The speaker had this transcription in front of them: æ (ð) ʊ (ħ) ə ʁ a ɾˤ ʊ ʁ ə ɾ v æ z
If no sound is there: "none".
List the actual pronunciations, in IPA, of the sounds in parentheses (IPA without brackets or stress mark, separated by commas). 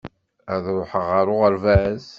ð, ħ